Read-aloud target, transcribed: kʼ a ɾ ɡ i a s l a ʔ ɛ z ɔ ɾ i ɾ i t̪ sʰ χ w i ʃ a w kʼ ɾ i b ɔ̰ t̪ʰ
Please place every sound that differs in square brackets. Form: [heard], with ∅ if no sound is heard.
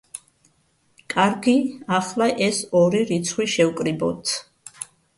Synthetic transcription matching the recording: kʼ a ɾ ɡ i a [χ] l a ʔ ɛ [s] ɔ ɾ i ɾ i t̪ sʰ χ w i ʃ [ɛ] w kʼ ɾ i b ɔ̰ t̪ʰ